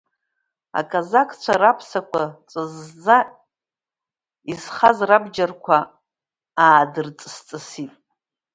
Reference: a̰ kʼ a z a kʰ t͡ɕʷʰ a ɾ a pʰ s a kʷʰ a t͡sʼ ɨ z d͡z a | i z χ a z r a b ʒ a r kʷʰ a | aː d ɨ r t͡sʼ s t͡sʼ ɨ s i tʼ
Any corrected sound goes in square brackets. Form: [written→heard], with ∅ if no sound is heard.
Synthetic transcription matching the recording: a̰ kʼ a z a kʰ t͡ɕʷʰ a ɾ a pʰ s a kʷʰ a t͡sʼ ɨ z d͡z a | i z χ a z r a b [ʒ→d͡ʒ] a r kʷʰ a | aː d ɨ r t͡sʼ s t͡sʼ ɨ s i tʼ